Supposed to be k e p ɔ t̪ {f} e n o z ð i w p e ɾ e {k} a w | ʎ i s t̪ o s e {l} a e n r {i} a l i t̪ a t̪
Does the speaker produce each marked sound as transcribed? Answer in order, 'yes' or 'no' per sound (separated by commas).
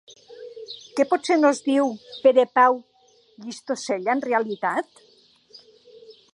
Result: no, no, no, no